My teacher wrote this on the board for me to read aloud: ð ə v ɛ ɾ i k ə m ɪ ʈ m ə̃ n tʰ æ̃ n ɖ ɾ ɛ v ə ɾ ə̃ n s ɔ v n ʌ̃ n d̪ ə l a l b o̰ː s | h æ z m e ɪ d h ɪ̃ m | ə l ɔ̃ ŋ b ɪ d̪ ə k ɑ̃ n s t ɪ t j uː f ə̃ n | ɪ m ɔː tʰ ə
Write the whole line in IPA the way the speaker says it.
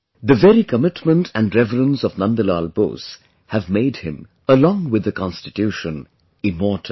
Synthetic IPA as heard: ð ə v ɛ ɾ i k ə m ɪ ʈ m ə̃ n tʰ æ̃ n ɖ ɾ ɛ v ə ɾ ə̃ n s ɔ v n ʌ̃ n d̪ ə l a l b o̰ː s | h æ v m e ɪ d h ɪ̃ m | ə l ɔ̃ ŋ w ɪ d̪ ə k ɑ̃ n s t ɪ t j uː ʃ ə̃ n | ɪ m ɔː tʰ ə